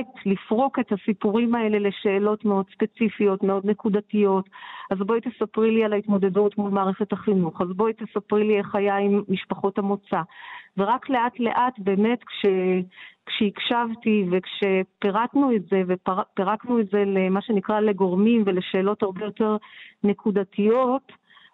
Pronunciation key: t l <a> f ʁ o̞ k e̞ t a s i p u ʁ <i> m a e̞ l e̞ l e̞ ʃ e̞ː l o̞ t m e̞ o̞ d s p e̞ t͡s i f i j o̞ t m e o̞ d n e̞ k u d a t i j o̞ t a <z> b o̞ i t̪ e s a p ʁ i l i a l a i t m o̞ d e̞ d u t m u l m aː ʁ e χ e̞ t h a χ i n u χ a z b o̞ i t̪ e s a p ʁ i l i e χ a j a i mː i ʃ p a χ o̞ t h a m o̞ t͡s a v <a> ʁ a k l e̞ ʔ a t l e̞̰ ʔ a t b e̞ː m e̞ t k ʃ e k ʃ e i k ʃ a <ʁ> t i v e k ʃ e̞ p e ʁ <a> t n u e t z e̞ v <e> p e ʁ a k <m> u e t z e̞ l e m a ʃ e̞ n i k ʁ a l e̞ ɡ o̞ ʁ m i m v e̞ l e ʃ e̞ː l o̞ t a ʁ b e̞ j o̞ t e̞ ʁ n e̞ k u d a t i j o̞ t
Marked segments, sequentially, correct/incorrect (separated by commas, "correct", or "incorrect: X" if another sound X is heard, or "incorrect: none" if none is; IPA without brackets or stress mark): incorrect: i, correct, correct, incorrect: e, incorrect: v, correct, correct, incorrect: n